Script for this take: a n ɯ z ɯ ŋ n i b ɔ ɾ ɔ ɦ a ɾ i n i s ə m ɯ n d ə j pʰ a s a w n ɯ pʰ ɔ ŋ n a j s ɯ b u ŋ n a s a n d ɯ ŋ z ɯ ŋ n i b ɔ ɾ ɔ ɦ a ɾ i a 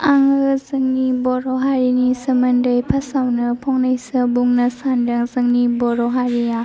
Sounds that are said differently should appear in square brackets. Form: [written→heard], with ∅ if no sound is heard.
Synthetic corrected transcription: a [n→ŋ] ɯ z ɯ ŋ n i b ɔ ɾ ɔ ɦ a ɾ i n i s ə m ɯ n d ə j pʰ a s a w n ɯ pʰ ɔ ŋ n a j s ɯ b u ŋ n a s a n d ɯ ŋ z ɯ ŋ n i b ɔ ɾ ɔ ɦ a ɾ i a